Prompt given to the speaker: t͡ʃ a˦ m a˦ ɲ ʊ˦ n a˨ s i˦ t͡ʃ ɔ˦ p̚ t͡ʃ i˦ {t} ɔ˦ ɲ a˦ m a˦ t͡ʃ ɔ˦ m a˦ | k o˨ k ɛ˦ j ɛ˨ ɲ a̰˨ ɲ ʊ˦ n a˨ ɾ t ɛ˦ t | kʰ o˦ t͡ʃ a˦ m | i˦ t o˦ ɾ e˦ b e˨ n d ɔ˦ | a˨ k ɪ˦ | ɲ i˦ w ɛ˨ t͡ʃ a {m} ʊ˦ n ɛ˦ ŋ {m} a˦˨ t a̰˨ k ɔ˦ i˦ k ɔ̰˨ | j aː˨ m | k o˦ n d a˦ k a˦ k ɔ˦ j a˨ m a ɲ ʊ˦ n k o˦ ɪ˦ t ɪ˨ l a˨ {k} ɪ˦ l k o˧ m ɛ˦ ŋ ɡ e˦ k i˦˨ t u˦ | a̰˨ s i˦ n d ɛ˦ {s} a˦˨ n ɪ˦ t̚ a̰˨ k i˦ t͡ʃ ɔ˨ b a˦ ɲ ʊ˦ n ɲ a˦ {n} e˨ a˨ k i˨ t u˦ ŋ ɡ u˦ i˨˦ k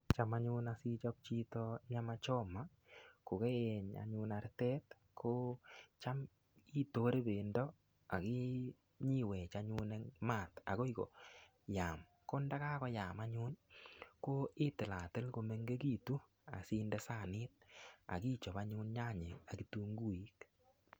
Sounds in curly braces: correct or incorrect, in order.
correct, incorrect: ɲ, correct, incorrect: t, correct, incorrect: ɲ

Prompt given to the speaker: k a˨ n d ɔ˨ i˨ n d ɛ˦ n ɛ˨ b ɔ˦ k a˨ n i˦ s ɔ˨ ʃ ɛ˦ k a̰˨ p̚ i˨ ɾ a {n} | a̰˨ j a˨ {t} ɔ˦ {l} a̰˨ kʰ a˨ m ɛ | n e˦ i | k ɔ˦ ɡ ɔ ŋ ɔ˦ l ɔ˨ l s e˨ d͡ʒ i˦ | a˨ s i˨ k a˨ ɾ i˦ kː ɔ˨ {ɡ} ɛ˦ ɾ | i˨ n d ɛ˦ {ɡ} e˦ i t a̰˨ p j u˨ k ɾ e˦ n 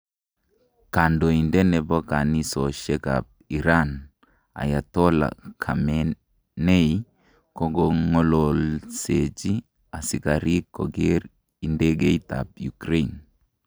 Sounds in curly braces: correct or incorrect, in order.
correct, correct, correct, correct, correct

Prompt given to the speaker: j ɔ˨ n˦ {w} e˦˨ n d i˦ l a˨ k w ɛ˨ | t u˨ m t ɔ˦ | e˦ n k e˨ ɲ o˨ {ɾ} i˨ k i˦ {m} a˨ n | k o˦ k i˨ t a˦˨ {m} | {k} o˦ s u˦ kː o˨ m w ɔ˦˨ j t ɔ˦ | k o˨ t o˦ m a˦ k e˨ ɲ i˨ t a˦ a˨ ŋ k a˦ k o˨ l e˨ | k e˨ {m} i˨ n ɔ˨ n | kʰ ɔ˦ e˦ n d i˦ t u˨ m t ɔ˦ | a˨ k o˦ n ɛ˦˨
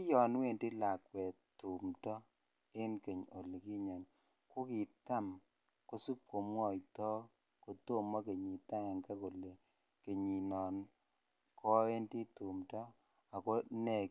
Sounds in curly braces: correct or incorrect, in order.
correct, incorrect: l, incorrect: ɲ, correct, correct, incorrect: ɲ

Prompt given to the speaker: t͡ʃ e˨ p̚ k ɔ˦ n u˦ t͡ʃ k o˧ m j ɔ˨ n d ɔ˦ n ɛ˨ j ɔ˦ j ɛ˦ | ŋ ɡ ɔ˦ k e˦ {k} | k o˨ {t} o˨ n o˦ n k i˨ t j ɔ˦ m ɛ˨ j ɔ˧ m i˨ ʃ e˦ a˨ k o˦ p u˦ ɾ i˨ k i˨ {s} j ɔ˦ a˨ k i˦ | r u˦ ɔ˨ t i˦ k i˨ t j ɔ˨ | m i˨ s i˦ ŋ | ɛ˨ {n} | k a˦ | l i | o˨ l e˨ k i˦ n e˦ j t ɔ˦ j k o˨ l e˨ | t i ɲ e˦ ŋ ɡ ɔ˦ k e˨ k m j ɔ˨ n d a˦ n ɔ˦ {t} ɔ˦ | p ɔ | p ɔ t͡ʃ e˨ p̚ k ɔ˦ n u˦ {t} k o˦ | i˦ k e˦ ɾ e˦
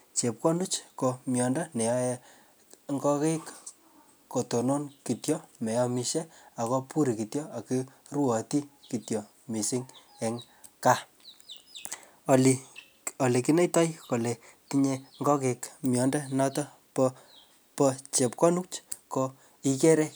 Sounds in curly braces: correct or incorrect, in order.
correct, correct, incorrect: t, incorrect: ŋ, correct, incorrect: t͡ʃ

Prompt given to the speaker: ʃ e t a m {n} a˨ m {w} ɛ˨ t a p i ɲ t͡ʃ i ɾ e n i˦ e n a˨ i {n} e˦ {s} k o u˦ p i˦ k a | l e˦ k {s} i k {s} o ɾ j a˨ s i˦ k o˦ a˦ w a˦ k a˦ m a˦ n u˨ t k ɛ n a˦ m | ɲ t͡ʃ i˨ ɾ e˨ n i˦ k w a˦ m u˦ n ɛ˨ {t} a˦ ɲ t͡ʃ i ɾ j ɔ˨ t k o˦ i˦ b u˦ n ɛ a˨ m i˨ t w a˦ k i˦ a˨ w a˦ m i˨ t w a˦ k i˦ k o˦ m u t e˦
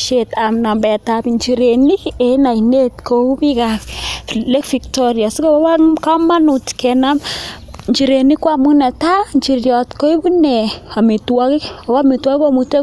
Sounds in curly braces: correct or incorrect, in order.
correct, incorrect: b, correct, incorrect: t, incorrect: f, incorrect: t, correct

